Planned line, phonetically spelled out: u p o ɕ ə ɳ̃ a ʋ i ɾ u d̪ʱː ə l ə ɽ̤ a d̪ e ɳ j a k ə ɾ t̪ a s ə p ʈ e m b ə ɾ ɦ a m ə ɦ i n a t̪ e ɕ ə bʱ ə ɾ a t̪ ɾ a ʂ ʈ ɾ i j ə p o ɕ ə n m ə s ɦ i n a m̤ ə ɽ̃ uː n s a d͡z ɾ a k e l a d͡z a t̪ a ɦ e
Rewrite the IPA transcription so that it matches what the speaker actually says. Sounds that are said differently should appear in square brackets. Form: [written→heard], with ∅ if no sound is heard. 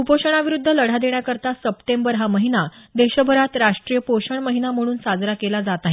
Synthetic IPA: u p o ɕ ə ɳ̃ a ʋ i ɾ u d̪ʱː ə l ə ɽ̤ a d̪ e ɳ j a k ə ɾ t̪ a s ə p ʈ e m b ə ɾ ɦ a m ə ɦ i n a [t̪→d̪] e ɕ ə bʱ ə ɾ a t̪ ɾ a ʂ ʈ ɾ i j ə p o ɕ ə [n→ɳ] m ə [s→∅] ɦ i n a m̤ ə ɽ̃ uː n s a d͡z ɾ a k e l a d͡z a t̪ a ɦ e